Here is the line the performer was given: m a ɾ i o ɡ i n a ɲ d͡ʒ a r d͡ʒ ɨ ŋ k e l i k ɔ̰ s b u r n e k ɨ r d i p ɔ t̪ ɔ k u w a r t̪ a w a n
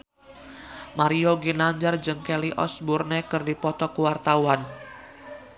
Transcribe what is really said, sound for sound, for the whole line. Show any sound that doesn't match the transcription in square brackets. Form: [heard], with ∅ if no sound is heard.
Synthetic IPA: m a ɾ i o ɡ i n a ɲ d͡ʒ a r d͡ʒ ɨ ŋ k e l i [ʔ] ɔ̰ s b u r n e k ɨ r d i p ɔ t̪ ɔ k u w a r t̪ a w a n

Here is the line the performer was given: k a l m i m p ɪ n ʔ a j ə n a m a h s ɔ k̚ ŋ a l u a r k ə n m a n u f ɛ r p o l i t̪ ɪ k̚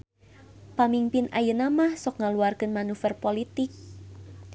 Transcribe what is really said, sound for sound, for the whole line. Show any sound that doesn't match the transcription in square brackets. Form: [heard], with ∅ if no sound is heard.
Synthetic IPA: [p] a [∅] m i m p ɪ n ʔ a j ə n a m a h s ɔ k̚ ŋ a l u a r k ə n m a n u f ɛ r p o l i t̪ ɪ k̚

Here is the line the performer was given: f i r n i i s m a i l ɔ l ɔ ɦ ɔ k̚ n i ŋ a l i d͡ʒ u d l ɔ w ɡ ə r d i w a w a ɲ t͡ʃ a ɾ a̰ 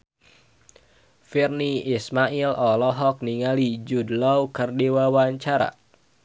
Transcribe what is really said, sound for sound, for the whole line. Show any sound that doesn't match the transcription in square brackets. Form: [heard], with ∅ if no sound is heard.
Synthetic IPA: f i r n i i s m a i l ɔ l ɔ ɦ ɔ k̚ n i ŋ a l i d͡ʒ u d l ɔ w [k] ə r d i w a w a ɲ t͡ʃ a ɾ a̰

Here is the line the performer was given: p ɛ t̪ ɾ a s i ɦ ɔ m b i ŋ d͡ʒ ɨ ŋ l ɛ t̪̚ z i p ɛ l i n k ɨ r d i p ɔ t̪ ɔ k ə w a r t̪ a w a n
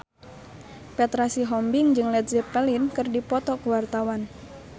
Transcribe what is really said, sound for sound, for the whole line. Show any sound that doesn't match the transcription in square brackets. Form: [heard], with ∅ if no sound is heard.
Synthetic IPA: p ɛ t̪ ɾ a s i ɦ ɔ m b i ŋ d͡ʒ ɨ ŋ l ɛ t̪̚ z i p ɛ l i n k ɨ r d i p ɔ t̪ ɔ k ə w a r t̪ a w a n

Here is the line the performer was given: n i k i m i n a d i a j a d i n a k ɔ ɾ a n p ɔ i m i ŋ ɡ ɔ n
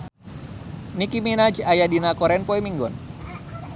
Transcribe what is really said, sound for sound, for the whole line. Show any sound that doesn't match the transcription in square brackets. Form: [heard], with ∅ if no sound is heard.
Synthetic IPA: n i k i m i n a [d͡ʒ] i a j a d i n a k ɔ ɾ [ɛ] n p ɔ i m i ŋ ɡ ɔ n

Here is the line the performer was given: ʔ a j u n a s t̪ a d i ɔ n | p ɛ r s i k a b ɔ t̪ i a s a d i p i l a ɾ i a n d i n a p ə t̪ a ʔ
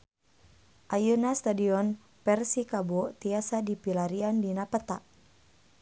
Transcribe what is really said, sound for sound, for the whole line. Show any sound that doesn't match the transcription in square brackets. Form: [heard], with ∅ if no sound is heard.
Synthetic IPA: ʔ a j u n a s t̪ a d i ɔ n | p ɛ r s i k a b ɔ t̪ i a s a d i p i l a ɾ i a n d i n a p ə t̪ a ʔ

